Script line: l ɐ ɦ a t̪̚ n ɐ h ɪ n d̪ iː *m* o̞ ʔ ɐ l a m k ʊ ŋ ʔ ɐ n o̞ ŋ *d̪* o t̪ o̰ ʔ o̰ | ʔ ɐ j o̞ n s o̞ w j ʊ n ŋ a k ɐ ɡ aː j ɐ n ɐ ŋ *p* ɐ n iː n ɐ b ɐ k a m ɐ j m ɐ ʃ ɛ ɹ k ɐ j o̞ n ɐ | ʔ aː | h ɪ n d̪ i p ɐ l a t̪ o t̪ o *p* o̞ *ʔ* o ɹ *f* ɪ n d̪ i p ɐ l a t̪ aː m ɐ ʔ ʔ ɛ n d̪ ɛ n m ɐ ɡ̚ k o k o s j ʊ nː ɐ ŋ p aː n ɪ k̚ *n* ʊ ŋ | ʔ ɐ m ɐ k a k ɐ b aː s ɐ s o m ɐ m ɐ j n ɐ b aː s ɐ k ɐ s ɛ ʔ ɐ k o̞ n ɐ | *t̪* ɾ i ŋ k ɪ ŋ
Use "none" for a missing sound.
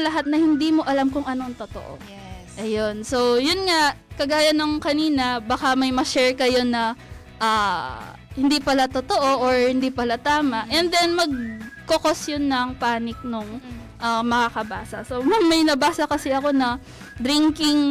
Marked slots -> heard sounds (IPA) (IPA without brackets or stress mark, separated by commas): m, t̪, k, ʔ, ʔ, h, n, d̪